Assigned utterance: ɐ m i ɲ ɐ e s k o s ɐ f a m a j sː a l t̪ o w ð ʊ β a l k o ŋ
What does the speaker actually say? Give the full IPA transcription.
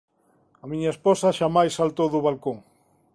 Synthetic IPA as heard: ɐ m i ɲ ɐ e s p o s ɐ ʃ a m a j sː a l t̪ o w ð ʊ β a l k o ŋ